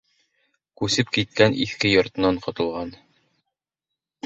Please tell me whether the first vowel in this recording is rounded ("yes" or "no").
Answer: yes